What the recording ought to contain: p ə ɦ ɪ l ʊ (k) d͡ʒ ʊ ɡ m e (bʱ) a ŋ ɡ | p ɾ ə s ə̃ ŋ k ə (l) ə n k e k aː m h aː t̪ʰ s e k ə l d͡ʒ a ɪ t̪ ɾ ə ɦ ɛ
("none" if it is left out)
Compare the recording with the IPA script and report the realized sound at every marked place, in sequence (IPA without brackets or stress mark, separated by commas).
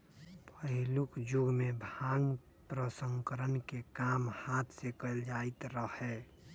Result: k, bʱ, ɾ